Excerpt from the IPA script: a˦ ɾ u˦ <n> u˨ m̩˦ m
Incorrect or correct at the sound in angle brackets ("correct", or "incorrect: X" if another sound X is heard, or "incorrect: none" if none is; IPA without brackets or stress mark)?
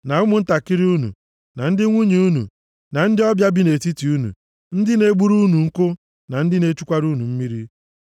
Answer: correct